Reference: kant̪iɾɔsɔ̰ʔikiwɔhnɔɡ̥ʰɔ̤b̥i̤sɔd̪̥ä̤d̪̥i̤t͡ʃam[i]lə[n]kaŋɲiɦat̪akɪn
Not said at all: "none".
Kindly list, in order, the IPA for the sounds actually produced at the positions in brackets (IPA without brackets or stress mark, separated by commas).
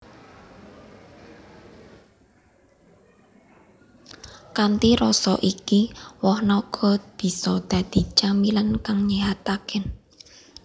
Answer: i, n